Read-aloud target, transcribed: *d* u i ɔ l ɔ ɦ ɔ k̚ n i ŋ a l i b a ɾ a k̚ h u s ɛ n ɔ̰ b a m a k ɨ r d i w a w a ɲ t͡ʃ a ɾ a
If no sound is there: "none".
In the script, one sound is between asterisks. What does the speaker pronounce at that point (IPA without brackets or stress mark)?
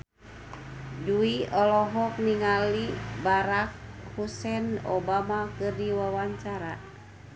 d